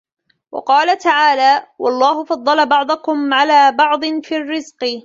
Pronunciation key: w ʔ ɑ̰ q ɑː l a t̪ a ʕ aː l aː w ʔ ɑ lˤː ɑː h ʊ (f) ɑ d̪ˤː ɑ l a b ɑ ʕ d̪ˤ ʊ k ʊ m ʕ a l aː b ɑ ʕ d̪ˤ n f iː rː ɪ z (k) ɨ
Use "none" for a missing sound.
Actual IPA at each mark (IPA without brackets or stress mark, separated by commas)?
f, q